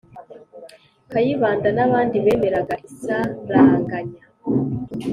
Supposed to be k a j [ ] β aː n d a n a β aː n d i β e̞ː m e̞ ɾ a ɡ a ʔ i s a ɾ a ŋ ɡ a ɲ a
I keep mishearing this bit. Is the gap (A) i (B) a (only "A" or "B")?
A